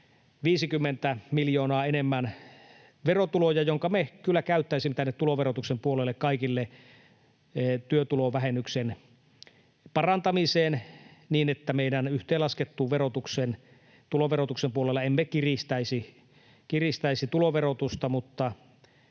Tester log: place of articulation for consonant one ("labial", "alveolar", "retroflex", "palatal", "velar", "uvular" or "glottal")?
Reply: labial